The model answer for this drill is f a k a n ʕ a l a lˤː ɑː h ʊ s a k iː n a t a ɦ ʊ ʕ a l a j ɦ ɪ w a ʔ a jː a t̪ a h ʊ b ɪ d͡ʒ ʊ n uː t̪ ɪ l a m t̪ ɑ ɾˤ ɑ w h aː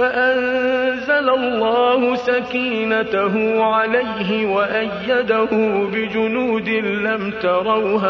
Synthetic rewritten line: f a ʔ a n z a l a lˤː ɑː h ʊ s a k iː n a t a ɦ ʊ ʕ a l a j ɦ ɪ w a ʔ a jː a d̪ a h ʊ b ɪ d͡ʒ ʊ n uː d̪ ɪ l a m t̪ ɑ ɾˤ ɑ w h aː